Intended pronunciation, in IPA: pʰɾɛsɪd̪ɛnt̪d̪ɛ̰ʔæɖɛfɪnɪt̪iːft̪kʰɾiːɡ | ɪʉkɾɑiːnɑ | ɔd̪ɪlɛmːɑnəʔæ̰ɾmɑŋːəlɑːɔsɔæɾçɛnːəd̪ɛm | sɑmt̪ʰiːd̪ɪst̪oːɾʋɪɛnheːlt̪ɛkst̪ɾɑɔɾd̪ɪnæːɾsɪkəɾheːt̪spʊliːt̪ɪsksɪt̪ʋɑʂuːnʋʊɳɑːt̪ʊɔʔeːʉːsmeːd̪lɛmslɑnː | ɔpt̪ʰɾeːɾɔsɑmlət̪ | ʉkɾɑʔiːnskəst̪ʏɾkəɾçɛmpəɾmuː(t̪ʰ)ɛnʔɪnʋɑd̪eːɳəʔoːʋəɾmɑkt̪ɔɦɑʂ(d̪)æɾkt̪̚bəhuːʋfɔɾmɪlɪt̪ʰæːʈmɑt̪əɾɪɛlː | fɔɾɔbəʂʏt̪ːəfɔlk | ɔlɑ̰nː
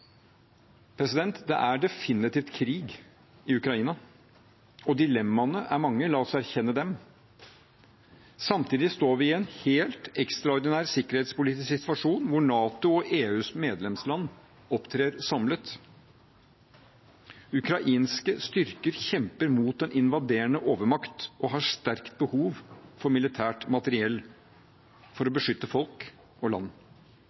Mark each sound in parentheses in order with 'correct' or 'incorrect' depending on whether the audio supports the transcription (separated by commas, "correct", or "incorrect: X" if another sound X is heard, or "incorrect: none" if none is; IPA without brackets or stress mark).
incorrect: t̪, incorrect: t̪